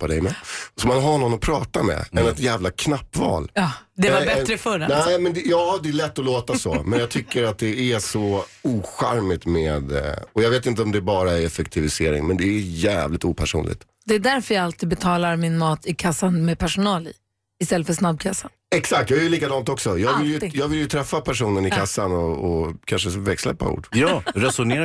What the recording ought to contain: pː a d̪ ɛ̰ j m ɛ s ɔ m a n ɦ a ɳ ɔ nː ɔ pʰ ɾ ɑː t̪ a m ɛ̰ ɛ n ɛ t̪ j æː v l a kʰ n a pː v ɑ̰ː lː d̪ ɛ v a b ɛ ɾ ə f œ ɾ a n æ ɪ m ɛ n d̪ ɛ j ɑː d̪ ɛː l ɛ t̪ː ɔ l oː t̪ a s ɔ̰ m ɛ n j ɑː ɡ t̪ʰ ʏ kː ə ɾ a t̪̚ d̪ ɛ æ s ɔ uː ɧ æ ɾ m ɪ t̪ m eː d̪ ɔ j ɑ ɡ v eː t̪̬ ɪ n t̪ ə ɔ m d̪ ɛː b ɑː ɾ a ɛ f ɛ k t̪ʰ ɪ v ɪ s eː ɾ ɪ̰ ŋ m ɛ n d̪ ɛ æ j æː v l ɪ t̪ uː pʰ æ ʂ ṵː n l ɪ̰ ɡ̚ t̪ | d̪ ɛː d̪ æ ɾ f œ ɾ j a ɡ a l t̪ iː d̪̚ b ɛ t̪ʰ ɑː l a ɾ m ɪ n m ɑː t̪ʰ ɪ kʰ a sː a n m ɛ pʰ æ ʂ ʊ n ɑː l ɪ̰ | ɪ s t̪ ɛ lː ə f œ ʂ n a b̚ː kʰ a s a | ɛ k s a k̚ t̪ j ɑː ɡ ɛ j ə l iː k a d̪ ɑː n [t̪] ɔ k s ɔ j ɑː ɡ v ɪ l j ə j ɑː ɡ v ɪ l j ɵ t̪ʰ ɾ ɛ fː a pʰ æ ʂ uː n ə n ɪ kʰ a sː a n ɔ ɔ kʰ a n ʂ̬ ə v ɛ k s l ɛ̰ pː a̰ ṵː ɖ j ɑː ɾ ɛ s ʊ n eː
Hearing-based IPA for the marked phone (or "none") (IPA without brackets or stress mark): t̪